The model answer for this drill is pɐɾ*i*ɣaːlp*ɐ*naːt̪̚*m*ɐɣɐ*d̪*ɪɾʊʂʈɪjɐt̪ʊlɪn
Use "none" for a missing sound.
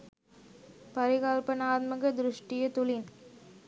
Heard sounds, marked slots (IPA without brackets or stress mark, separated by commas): ɪ, ɐ, m, d̪